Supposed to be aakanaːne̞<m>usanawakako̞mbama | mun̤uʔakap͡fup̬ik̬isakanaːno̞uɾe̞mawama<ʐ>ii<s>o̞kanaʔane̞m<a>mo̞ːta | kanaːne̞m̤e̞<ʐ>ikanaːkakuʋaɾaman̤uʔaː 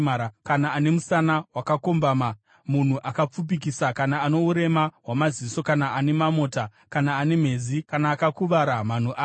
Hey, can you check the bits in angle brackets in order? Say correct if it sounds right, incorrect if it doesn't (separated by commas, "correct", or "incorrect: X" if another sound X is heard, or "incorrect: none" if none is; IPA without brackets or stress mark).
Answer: correct, incorrect: z, correct, correct, incorrect: z